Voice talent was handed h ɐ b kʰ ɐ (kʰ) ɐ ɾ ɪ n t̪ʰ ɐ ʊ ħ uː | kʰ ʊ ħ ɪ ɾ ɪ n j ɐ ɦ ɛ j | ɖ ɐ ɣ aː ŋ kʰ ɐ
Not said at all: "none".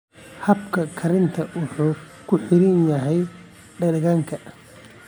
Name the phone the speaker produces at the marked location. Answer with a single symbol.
kʰ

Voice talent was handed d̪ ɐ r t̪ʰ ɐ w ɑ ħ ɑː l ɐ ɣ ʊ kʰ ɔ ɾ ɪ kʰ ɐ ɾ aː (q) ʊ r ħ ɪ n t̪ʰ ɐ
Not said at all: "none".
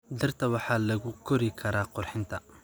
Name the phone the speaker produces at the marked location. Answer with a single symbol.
q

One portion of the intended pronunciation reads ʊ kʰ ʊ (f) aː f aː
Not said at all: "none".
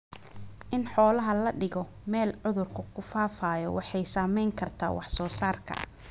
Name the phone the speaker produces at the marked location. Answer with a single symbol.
f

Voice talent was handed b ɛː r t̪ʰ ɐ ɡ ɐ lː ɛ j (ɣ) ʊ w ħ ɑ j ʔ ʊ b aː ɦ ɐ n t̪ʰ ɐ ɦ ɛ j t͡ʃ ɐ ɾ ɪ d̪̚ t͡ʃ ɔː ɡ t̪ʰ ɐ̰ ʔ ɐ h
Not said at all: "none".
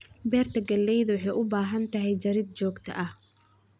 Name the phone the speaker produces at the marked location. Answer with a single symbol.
ð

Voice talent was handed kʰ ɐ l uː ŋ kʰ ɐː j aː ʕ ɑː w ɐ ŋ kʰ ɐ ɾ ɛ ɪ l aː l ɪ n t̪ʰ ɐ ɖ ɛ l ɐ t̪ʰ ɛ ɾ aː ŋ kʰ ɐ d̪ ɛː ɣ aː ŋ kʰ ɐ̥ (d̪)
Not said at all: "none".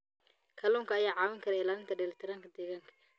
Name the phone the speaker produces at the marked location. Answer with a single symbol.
none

